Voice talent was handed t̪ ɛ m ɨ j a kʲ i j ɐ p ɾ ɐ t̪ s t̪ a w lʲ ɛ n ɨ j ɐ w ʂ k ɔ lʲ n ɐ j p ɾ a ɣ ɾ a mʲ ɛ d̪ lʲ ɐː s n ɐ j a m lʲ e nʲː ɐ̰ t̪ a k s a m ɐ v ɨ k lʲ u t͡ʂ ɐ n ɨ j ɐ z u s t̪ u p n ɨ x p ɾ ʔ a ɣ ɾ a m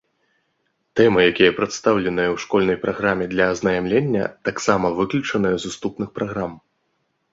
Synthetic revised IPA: t̪ ɛ m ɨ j a kʲ i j ɐ p ɾ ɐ t̪ s t̪ a w lʲ ɛ n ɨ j ɐ w ʂ k ɔ lʲ n ɐ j p ɾ a ɣ ɾ a mʲ ɛ d̪ lʲ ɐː z n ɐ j a m lʲ e nʲː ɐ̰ t̪ a k s a m ɐ v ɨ k lʲ u t͡ʂ ɐ n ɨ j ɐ z u s t̪ u p n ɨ x p ɾ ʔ a ɣ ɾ a m